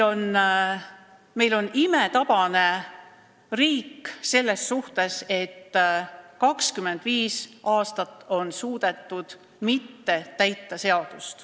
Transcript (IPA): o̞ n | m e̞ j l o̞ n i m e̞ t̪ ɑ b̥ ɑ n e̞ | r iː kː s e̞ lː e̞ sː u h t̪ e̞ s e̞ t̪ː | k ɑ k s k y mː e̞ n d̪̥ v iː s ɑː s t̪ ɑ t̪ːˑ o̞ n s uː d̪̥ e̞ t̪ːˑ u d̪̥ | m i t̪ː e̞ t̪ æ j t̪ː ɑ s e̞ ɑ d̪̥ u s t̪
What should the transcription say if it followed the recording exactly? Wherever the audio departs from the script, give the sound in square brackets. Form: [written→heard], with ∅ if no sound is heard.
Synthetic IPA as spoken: o̞ n | m e̞ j l o̞ n i m e̞ t̪ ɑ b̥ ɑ n e̞ | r iː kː s e̞ lː e̞ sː u h t̪ e̞ s e̞ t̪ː | k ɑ k s k y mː e̞ n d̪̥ v iː s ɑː s t̪ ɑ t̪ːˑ o̞ n s uː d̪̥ e̞ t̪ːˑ u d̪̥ | m i t̪ː e̞ t̪ æ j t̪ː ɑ s e̞ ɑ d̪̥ u s t̪